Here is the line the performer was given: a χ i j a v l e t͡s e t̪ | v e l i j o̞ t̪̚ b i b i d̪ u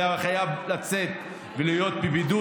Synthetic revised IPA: a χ a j a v l a t͡s e t̪ | v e l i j o̞ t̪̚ b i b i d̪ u

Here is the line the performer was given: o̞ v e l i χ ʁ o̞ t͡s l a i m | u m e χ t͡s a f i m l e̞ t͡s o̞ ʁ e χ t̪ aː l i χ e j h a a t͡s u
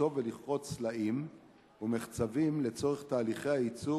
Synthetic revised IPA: o̞ v e l i χ ʁ o̞ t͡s l a i m | u m e χ t͡s a v i m l e̞ t͡s o̞ ʁ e χ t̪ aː l i χ e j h a i t͡s u

